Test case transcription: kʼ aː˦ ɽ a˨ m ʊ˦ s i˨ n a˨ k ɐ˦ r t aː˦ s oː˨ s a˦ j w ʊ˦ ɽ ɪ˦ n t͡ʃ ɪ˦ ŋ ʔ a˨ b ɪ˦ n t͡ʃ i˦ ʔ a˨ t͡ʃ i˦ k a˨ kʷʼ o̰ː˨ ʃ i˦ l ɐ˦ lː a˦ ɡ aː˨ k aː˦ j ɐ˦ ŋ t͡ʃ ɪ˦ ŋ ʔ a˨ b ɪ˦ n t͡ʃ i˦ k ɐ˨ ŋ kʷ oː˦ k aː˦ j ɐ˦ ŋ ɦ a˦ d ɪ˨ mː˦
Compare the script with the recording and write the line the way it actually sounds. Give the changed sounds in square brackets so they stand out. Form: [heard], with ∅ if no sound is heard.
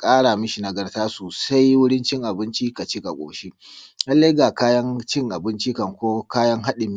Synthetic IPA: kʼ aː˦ ɽ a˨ m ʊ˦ [ʃ] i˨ n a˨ [ɡ] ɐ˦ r t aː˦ s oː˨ s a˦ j w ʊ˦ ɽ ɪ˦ n t͡ʃ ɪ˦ ŋ ʔ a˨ b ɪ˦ n t͡ʃ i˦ [k] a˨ t͡ʃ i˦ k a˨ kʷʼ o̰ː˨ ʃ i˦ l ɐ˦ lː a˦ ɡ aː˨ k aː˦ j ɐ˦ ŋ t͡ʃ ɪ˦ ŋ ʔ a˨ b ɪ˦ n t͡ʃ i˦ k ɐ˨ ŋ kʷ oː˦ k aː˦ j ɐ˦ ŋ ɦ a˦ [ɗ] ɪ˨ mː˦